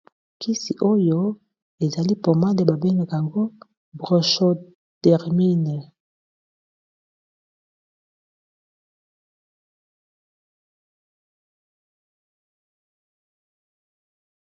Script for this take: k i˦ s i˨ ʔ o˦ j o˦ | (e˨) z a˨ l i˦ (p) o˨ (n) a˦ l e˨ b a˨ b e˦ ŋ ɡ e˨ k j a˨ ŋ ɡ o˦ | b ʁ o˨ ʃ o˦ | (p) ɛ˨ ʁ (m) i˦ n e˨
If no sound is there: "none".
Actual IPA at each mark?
e˨, p, m, t, m

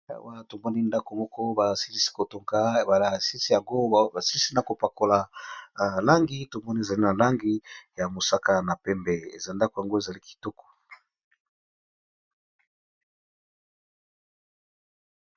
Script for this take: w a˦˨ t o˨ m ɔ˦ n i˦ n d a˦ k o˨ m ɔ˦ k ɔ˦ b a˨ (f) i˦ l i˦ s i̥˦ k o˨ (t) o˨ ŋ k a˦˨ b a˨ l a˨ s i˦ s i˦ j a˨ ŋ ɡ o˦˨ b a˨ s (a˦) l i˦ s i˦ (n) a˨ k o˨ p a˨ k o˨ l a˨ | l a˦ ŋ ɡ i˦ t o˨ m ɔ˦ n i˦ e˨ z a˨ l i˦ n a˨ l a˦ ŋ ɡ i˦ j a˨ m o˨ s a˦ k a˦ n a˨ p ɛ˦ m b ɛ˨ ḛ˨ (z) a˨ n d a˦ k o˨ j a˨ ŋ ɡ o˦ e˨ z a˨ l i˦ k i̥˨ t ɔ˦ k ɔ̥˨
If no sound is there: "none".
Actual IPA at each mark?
s, t, i˦, n, z

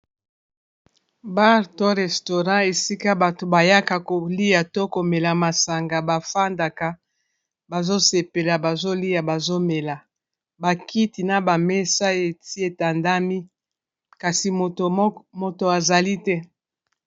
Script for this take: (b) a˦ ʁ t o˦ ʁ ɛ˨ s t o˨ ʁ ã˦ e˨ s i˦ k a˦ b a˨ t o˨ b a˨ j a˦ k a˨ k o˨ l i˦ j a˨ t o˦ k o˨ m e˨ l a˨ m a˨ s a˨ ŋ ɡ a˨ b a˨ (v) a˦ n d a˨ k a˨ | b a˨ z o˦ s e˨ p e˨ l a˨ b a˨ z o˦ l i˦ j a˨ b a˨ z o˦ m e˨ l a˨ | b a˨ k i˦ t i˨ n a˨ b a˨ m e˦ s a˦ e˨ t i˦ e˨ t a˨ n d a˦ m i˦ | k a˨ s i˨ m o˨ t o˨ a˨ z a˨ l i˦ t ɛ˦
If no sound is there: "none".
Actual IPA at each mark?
b, f

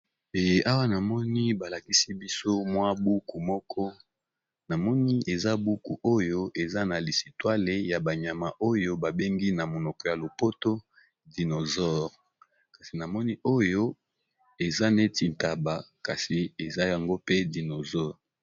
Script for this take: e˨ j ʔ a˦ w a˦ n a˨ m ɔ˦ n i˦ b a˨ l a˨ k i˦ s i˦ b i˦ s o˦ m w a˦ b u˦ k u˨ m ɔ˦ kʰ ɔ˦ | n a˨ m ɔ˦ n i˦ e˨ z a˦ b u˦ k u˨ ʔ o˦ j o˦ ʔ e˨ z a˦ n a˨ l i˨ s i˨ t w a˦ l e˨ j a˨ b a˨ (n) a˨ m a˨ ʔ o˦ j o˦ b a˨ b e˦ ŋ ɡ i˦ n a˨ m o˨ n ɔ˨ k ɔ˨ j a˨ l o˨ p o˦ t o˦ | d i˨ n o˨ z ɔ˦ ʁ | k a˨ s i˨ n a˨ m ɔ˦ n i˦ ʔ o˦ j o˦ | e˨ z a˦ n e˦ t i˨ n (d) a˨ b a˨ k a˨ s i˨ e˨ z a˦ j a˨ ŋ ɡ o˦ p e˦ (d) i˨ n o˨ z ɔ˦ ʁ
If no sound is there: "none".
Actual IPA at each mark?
ɲ, t, d

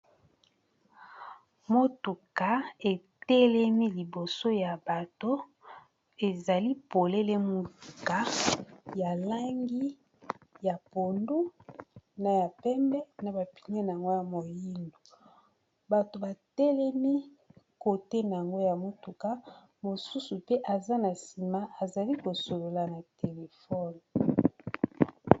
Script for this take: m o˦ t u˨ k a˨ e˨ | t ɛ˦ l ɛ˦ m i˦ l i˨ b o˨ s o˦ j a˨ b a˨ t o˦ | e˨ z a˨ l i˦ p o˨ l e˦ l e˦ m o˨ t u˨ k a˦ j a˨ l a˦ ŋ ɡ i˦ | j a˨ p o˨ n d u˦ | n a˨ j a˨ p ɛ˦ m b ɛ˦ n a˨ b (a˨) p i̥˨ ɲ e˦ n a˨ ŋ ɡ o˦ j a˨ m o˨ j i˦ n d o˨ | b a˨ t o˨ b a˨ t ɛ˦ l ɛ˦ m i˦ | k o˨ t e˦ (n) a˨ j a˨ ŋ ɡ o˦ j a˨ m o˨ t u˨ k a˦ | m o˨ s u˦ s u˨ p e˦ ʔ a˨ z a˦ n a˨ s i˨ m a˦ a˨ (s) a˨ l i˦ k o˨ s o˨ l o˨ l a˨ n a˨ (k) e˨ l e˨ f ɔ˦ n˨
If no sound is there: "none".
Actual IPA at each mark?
a˨, n, z, t

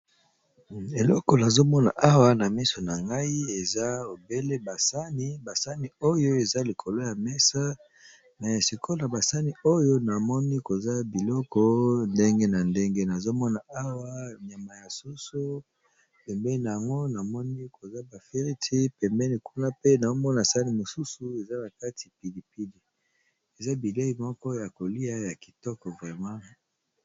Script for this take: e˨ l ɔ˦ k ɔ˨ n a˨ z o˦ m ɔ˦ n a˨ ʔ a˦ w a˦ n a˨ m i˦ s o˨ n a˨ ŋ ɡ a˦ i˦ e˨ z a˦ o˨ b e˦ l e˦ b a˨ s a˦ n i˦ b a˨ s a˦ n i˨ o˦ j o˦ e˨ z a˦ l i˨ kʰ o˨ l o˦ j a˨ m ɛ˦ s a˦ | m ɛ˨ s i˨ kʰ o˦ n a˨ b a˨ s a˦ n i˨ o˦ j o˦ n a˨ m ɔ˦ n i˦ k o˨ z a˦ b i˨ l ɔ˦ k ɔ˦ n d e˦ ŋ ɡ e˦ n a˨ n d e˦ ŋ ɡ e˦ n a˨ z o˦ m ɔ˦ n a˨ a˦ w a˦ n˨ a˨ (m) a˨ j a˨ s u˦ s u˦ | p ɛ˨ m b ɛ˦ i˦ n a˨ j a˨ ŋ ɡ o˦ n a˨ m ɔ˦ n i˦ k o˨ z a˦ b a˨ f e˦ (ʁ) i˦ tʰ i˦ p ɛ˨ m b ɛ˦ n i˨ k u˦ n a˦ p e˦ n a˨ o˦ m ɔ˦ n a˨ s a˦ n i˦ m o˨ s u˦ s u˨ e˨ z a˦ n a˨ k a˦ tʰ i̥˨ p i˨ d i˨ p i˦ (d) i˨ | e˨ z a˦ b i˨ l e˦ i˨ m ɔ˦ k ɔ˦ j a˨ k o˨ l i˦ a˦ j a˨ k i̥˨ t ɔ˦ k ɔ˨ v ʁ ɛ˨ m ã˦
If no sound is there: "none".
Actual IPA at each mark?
m, ʁ, d

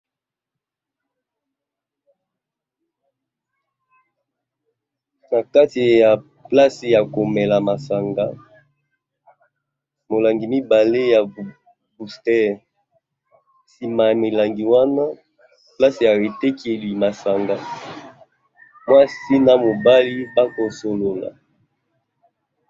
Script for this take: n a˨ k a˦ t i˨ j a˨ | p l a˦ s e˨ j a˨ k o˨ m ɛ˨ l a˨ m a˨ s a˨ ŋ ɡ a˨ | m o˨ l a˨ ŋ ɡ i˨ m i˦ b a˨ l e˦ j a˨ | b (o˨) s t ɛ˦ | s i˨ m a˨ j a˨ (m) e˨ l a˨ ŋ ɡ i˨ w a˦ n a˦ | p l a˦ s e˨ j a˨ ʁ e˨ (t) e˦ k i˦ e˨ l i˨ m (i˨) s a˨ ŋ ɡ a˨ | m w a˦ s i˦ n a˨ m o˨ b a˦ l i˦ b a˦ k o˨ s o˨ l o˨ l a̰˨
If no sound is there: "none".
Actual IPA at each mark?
u˨, m, t, a˨

